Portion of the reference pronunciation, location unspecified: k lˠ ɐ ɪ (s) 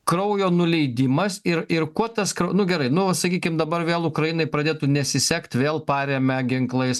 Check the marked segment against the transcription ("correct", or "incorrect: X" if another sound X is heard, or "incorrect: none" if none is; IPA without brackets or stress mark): correct